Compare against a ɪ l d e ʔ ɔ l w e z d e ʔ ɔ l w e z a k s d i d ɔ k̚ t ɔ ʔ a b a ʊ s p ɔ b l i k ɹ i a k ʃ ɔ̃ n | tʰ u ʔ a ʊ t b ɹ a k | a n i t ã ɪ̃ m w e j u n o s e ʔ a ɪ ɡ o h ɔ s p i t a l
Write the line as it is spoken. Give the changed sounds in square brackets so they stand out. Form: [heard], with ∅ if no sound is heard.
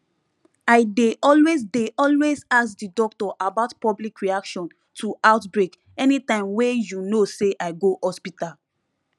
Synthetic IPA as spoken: a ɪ [∅] d e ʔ ɔ l w e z d e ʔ ɔ l w e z a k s d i d ɔ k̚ t ɔ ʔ a b a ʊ [t] p ɔ b l i k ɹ i a k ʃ ɔ̃ n | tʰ u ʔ a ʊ t b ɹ [e] k | [ɛ] n i t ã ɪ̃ m w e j u n o s e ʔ a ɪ ɡ o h ɔ s p i t a l